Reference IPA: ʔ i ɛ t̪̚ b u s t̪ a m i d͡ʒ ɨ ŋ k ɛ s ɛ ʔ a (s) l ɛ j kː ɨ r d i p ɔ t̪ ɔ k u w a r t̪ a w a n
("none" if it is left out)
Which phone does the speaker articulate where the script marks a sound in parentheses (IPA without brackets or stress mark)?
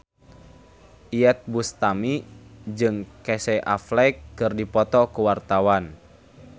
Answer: f